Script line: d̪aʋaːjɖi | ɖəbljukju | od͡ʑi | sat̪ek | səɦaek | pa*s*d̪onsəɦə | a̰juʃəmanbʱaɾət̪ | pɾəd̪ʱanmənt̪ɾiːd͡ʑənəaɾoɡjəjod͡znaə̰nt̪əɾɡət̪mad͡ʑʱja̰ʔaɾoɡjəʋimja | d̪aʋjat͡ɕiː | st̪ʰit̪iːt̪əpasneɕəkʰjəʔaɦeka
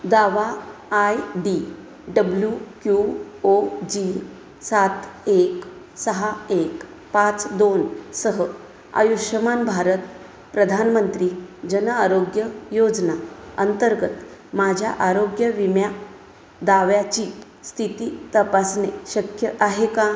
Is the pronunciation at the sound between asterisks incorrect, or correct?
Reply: incorrect